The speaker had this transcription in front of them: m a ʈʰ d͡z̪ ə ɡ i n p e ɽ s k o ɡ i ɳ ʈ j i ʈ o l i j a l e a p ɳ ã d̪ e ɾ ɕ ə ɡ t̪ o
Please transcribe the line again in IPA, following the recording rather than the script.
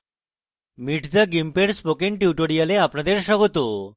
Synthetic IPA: m i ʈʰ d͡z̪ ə ɡ i m p e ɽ s p o k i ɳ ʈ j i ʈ o ɽ i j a l e a p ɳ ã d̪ e ɾ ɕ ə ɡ t̪ o

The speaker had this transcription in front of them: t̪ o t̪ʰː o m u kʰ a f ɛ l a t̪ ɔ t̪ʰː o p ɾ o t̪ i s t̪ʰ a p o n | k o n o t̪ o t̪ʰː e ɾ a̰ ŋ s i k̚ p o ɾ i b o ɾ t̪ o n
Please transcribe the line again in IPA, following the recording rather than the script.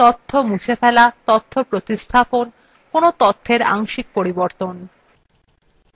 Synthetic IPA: t̪ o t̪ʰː o m u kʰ e f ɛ l a t̪ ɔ t̪ʰː o p ɾ o t̪ i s t̪ʰ a p o n | k o n o t̪ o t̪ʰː e ɾ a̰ ŋ ʃ i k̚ p o ɾ i b o ɾ t̪ o n

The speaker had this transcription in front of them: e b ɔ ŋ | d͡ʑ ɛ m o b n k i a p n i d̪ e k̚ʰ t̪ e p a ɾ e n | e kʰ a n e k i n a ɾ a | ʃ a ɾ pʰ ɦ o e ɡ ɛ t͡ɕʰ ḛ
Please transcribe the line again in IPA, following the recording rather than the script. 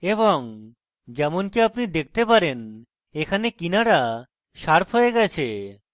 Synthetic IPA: e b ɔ ŋ | d͡ʑ ɛ m o n k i a p n i d̪ e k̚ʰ t̪ e p a ɾ e n | e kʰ a n e k i n a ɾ a | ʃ a ɾ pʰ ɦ o e ɡ ɛ t͡ɕʰ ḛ

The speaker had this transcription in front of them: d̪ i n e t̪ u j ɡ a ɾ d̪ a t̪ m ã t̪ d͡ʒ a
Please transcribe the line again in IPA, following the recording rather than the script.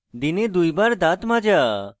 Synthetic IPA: d̪ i n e d̪ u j b a ɾ d̪ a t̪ m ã d͡ʒ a

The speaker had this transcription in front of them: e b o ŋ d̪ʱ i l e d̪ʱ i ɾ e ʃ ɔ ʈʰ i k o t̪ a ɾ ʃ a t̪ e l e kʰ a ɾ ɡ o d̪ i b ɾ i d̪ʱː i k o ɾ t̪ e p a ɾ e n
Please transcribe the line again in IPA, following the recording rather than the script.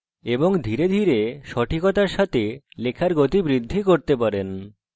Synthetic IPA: e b o ŋ d̪ʱ i ɾ e d̪ʱ i ɾ e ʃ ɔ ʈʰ i k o t̪ a ɾ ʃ a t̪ e l e kʰ a ɾ ɡ o t̪ i b ɾ i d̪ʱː i k o ɾ t̪ e p a ɾ e n

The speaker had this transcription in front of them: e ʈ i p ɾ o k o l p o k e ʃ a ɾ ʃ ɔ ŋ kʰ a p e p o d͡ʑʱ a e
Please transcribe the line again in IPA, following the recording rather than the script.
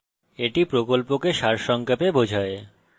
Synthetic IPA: e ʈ i p ɾ o k o l p o k e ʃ a ɾ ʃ ɔ ŋ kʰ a p e b o d͡ʑʱ a e

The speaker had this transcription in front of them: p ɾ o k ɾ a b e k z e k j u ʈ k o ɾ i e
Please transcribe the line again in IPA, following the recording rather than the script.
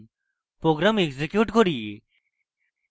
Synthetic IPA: p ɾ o ɡ ɾ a m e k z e k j u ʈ k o ɾ i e

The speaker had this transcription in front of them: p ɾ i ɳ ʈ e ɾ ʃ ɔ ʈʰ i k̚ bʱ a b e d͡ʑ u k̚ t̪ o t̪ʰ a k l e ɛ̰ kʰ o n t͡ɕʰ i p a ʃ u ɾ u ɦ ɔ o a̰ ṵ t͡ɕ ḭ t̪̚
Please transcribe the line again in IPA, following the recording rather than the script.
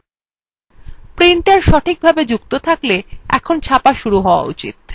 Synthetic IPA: p ɾ i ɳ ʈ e ɾ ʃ ɔ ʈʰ i k̚ bʱ a b e d͡ʑ u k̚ t̪ o t̪ʰ a k l e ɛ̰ kʰ o n t͡ɕʰ a p a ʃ u ɾ u ɦ ɔ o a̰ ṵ t͡ɕ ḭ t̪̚

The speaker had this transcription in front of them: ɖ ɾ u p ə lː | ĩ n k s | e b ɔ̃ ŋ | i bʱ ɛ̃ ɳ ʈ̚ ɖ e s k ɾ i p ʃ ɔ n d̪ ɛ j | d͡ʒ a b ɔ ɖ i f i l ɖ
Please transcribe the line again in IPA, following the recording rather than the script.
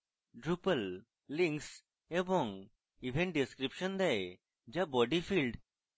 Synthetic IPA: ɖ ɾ u p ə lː | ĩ ŋ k s | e b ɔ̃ ŋ | i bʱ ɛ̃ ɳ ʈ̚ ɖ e s k ɾ i p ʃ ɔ n d̪ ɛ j | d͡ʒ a b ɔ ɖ i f i l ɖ

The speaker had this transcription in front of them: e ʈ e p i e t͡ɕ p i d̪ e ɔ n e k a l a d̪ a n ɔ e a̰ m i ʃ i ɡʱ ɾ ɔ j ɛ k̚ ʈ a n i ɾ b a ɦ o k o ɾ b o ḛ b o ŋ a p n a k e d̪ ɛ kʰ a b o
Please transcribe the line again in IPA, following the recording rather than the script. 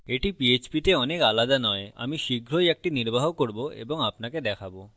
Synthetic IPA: e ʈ i p i e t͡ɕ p i t̪ e ɔ n e k a l a d̪ a n ɔ e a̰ m i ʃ i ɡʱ ɾ o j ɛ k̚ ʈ i n i ɾ b a ɦ o k o ɾ b o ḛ b o ŋ a p n a k e d̪ ɛ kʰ a b o

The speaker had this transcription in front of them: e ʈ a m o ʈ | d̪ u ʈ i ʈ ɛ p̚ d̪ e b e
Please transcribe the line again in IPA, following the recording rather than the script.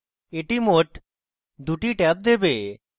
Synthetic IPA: e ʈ i m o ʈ | d̪ u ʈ i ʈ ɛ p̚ d̪ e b e

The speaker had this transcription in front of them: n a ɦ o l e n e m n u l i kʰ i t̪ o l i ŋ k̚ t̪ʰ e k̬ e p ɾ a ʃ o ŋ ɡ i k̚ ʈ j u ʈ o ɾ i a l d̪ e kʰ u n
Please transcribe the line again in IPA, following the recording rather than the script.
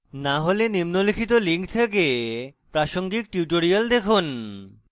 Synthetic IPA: n a ɦ o l e n i m n o l i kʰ i t̪ o l i ŋ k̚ t̪ʰ e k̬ e p ɾ a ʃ o ŋ ɡ i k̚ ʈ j u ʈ o ɾ i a l d̪ e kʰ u n

